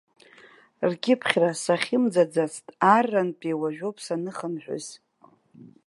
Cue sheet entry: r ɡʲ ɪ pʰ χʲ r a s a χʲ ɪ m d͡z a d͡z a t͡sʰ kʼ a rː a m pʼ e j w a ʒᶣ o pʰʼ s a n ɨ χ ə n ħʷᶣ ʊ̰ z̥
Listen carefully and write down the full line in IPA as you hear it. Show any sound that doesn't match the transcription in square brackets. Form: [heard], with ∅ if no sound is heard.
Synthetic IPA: r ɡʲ ɪ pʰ χʲ r a s a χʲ ɪ m d͡z a d͡z a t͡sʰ [tʼ] a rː a [n] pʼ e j w a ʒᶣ o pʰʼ s a n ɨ χ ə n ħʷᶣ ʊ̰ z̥